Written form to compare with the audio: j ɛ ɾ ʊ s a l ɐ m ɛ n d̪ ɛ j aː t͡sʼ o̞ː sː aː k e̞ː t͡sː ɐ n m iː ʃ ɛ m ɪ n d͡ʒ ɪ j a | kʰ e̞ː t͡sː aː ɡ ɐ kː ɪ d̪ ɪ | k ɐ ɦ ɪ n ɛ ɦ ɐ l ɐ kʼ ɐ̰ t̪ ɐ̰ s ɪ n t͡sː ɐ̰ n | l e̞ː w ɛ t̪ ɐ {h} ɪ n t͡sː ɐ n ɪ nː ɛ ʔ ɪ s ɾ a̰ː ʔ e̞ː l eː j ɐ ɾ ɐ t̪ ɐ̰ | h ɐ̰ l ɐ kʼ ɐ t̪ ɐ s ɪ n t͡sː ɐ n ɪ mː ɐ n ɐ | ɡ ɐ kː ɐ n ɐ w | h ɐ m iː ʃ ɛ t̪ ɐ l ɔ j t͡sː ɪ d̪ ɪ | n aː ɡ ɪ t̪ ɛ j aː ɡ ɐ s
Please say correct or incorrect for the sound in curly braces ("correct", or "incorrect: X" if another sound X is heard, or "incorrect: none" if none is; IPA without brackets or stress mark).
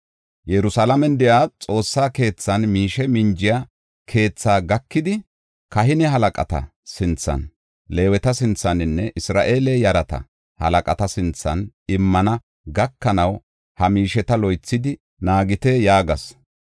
incorrect: s